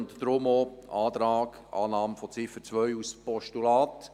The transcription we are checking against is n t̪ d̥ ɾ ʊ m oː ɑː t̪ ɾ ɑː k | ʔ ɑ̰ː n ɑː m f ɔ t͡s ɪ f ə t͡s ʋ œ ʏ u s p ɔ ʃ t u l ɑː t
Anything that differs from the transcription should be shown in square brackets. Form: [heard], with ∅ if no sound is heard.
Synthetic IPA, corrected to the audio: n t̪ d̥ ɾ ʊ m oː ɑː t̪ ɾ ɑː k | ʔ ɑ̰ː n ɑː m f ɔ t͡s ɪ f ə t͡s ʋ œ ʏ u s p ɔ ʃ t u l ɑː t